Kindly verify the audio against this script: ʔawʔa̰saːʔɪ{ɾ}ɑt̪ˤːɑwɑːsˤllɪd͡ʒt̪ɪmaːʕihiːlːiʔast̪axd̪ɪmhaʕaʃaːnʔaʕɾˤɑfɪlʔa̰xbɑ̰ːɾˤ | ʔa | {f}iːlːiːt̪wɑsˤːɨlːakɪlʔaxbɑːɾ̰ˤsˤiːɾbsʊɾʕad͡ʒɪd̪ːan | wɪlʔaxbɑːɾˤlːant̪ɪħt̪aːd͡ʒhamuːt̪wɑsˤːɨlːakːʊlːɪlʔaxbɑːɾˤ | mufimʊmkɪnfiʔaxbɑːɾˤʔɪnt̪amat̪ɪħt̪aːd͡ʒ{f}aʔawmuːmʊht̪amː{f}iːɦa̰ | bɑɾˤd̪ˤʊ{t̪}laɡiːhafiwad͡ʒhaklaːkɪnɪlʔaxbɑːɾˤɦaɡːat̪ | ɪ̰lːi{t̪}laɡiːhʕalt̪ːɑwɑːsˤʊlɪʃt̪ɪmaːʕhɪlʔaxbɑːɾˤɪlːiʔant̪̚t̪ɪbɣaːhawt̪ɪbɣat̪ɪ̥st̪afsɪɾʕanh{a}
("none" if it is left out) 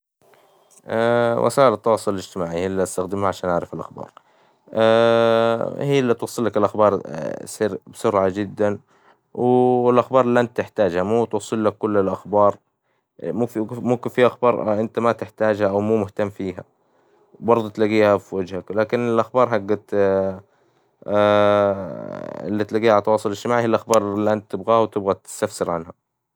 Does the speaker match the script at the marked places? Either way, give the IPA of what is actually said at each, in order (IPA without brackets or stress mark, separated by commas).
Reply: l, h, h, f, t̪, t̪, a